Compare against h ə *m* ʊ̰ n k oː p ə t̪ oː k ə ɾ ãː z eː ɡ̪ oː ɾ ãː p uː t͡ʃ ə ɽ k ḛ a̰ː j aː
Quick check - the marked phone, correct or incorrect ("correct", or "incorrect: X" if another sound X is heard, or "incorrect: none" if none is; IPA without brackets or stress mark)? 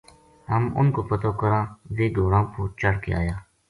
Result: correct